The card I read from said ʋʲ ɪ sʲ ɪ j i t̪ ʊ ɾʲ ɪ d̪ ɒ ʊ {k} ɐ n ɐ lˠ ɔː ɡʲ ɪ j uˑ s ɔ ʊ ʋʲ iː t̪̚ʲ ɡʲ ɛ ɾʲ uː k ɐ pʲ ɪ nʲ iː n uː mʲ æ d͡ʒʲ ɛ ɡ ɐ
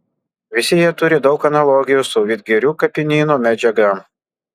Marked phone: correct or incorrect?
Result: correct